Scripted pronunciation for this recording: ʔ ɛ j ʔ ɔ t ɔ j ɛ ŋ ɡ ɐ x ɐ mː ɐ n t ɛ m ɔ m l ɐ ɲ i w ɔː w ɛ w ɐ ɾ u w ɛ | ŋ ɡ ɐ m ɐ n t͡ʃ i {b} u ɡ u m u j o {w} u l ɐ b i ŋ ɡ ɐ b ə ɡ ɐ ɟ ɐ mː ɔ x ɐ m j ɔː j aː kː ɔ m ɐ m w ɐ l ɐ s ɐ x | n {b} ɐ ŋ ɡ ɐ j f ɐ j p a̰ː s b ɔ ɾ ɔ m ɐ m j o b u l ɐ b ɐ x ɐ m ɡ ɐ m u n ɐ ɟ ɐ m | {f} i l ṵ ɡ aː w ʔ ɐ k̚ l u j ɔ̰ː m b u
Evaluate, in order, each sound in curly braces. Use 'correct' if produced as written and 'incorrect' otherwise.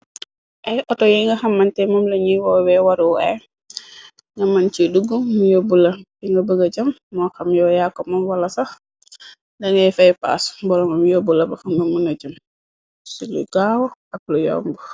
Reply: incorrect: d, incorrect: b, incorrect: d, incorrect: s

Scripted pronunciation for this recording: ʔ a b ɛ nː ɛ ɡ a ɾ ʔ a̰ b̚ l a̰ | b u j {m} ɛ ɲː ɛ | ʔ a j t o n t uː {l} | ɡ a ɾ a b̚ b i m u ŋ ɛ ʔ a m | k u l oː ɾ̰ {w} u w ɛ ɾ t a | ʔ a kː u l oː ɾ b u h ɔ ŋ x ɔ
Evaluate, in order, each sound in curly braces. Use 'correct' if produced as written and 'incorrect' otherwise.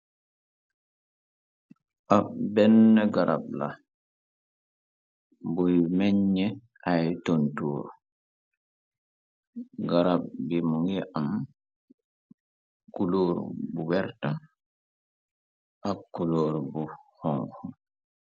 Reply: correct, incorrect: ɾ, incorrect: b

